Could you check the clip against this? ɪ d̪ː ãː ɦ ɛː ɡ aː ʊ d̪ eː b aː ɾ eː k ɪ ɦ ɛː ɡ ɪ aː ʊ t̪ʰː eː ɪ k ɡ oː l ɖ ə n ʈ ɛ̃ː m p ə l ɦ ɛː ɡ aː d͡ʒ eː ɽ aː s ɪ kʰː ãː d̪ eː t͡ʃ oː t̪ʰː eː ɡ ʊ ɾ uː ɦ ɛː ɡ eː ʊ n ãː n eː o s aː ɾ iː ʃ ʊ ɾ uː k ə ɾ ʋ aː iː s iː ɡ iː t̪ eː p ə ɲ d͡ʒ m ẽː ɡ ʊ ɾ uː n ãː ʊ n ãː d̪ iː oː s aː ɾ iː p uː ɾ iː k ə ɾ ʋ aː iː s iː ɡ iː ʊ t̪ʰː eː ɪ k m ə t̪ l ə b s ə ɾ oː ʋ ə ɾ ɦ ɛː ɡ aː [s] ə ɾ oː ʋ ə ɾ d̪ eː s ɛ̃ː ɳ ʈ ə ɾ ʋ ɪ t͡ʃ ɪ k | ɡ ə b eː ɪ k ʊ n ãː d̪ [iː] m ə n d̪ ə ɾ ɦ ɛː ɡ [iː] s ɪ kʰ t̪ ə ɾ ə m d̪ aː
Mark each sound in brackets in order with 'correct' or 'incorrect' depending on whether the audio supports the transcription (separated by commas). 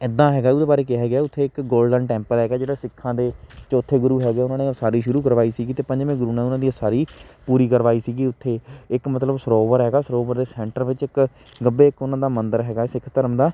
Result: correct, incorrect, incorrect